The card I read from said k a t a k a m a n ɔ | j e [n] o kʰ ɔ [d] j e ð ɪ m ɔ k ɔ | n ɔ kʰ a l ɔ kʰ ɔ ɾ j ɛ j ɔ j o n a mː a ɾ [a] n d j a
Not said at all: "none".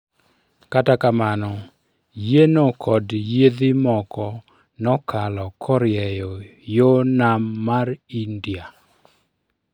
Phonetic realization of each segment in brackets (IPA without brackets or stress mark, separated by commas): n, d, i